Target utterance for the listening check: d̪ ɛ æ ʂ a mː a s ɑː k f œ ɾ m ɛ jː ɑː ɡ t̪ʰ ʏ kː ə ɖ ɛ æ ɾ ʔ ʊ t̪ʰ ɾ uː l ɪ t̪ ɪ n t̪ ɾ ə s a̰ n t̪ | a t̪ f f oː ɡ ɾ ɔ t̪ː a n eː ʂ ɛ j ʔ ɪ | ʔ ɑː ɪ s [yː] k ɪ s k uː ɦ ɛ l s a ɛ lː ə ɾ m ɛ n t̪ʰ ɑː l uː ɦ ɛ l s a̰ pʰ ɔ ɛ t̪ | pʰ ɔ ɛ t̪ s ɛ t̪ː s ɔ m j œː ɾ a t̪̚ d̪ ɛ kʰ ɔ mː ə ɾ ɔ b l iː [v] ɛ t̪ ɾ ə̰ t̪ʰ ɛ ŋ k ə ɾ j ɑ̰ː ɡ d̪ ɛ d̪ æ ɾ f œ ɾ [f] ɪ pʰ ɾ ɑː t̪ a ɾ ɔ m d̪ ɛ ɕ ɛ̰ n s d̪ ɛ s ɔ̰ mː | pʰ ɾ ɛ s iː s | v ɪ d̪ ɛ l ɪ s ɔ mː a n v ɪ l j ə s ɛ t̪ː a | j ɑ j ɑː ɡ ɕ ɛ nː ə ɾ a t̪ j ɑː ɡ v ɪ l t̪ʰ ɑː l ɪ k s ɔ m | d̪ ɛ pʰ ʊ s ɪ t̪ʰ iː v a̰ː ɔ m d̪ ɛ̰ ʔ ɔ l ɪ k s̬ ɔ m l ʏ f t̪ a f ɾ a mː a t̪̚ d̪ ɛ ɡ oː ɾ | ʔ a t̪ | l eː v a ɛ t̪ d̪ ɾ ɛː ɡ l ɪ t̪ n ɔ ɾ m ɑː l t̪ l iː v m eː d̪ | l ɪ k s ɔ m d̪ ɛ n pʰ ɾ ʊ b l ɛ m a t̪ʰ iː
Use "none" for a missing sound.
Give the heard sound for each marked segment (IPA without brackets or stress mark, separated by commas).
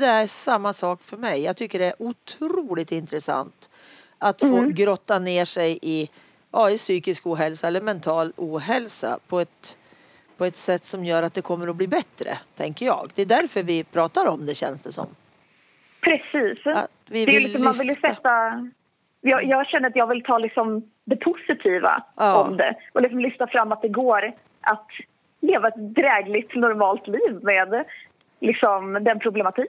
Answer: yː, b, v